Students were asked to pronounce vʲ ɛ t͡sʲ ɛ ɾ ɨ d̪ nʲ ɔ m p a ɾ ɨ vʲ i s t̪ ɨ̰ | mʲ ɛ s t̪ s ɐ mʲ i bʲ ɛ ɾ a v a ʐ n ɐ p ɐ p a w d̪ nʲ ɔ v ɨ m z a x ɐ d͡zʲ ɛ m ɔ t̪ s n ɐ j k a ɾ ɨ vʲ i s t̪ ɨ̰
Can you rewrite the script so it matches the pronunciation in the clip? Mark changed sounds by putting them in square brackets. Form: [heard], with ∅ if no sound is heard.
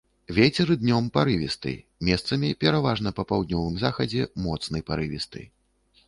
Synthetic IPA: vʲ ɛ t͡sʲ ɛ ɾ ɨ d̪ nʲ ɔ m p a ɾ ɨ vʲ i s t̪ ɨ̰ | mʲ ɛ s t̪ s ɐ mʲ i [pʲ] ɛ ɾ a v a ʐ n ɐ p ɐ p a w d̪ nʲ ɔ v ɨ m z a x ɐ d͡zʲ ɛ m ɔ t̪ s n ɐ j [p] a ɾ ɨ vʲ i s t̪ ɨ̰